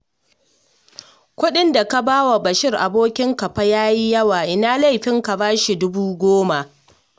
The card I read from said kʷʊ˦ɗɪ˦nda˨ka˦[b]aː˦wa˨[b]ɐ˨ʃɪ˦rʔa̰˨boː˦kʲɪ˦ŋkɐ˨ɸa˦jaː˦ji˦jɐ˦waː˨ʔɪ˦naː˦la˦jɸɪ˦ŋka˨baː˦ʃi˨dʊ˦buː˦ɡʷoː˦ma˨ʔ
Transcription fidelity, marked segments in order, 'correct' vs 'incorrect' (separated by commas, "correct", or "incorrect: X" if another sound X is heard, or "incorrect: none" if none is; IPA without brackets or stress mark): correct, correct